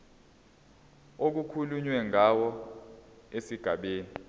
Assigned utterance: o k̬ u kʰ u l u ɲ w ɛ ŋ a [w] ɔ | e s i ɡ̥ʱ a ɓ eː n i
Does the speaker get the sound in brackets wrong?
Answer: no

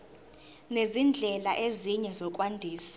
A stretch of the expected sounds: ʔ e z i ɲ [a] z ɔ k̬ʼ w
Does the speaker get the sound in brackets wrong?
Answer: yes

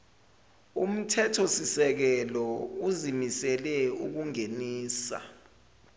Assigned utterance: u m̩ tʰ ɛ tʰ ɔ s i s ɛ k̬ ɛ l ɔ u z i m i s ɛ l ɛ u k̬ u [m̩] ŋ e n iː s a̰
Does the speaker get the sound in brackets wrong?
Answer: yes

